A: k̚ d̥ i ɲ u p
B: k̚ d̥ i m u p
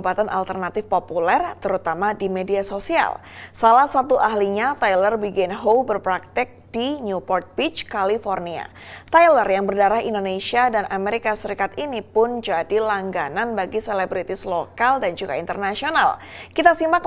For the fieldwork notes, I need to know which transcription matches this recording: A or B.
A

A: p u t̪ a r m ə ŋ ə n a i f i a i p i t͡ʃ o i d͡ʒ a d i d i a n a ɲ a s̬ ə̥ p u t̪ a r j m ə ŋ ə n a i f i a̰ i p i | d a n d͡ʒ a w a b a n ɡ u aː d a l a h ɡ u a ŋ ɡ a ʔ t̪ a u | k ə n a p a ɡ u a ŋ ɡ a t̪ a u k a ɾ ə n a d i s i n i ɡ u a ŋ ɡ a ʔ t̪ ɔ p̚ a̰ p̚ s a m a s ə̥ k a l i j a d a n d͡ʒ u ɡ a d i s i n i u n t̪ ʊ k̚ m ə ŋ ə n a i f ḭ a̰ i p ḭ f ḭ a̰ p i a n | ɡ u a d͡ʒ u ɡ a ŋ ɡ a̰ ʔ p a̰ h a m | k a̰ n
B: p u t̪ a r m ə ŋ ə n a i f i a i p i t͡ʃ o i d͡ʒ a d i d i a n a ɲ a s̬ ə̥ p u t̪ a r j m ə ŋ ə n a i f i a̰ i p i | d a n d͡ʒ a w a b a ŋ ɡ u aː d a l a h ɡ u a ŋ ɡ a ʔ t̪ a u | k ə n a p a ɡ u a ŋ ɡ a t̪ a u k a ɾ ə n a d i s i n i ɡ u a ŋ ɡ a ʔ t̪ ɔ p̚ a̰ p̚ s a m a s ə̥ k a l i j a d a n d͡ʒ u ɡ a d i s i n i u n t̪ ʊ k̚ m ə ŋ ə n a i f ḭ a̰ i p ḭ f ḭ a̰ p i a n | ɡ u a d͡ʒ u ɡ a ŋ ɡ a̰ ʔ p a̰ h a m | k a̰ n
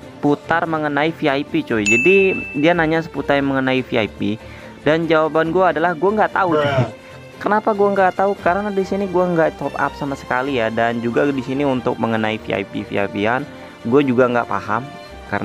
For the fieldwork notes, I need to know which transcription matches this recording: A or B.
A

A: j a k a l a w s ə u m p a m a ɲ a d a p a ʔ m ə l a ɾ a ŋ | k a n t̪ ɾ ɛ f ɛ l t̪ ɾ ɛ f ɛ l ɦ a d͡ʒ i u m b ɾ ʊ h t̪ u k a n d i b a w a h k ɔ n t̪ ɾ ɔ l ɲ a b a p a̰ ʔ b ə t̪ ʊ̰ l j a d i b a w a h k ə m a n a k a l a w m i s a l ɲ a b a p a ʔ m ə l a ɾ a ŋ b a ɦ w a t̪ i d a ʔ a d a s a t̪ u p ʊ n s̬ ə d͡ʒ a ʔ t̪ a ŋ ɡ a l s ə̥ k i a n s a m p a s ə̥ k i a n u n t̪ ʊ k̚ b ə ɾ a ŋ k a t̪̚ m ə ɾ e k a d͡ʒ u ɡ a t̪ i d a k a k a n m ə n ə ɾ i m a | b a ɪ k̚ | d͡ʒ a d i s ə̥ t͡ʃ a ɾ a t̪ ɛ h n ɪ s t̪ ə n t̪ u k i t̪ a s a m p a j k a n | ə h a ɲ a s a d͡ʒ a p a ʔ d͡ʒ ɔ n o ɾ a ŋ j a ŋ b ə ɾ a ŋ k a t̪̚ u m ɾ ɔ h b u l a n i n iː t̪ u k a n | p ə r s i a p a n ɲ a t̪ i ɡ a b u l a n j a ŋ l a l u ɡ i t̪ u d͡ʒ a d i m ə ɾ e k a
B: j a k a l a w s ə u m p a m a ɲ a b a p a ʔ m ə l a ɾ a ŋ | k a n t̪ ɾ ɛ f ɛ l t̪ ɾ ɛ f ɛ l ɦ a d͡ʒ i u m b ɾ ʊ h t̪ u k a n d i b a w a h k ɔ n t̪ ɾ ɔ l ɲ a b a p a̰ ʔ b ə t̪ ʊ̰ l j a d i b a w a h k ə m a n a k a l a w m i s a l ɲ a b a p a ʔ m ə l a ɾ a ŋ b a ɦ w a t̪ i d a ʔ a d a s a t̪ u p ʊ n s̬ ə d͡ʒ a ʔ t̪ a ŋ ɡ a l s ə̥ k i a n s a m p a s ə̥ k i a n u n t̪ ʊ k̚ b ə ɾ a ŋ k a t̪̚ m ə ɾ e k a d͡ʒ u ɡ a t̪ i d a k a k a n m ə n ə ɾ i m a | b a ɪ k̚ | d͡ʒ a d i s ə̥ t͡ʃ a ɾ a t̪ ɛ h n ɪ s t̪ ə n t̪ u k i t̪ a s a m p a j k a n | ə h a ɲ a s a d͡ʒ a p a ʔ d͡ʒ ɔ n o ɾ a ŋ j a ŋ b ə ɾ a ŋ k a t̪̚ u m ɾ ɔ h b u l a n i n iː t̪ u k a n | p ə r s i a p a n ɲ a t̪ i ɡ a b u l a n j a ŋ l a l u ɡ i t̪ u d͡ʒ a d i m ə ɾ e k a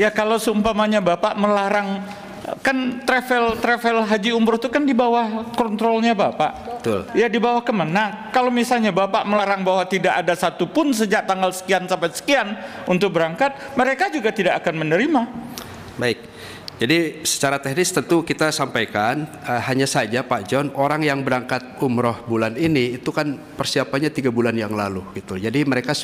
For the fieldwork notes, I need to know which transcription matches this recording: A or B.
B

